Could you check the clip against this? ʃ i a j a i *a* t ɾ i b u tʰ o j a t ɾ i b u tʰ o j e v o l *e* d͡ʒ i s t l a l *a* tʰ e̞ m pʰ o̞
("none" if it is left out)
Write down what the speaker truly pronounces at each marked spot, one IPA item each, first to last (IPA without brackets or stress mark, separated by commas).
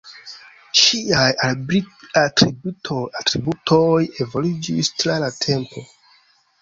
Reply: a, i, a